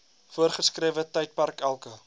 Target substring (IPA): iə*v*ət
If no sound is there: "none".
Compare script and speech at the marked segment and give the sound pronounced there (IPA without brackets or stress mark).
v